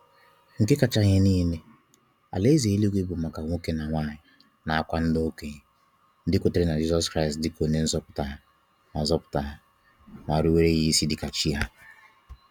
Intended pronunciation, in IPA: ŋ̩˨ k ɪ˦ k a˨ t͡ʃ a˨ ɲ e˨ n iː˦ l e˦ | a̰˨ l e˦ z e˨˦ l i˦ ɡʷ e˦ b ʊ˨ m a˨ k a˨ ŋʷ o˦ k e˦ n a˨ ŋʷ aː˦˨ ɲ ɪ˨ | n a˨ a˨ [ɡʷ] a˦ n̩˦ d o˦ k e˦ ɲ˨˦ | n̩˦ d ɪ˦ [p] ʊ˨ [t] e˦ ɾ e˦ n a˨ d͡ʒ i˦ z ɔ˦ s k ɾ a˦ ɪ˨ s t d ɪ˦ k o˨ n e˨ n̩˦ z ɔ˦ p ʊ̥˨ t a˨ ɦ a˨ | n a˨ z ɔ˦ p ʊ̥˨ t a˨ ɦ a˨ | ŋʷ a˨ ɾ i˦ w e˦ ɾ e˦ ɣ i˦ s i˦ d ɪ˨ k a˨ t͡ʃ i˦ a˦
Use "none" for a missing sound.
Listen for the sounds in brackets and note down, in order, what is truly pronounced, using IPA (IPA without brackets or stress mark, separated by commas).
kʷ, k, t